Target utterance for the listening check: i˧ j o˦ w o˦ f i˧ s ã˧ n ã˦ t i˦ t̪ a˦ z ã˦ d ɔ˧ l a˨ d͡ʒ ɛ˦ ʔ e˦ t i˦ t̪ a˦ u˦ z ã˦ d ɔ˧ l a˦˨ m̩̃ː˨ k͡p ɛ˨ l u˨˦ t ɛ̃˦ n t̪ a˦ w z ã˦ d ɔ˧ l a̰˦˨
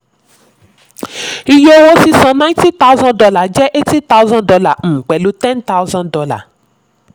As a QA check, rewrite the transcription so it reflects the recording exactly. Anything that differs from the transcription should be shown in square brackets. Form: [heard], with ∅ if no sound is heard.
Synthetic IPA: i˧ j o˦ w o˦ [s] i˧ s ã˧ n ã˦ t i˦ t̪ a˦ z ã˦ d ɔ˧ l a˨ d͡ʒ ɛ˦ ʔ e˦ t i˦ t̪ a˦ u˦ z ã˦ d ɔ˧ l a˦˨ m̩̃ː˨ k͡p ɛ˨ l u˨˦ t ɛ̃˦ n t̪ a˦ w z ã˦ d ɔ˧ l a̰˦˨